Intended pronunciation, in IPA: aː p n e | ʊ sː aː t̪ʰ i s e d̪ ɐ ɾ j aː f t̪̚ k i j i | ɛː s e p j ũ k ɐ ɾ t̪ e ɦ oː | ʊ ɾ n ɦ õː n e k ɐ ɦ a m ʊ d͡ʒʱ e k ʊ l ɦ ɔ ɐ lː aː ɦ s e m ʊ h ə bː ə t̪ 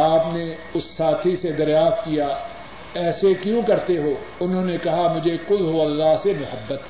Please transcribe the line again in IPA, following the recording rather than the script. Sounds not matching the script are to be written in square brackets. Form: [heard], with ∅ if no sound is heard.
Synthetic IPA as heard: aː p n e | ʊ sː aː t̪ʰ i s e d̪ ɐ ɾ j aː f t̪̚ k i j [a] | ɛː s e [k] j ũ k ɐ ɾ t̪ e ɦ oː | ʊ [∅] n ɦ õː n e k ɐ ɦ a m ʊ d͡ʒʱ e k ʊ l ɦ [o] ɐ lː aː ɦ s e m ʊ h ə bː ə t̪